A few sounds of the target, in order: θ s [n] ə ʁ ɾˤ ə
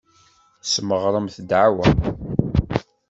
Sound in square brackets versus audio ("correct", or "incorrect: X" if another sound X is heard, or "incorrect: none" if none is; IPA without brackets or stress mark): incorrect: m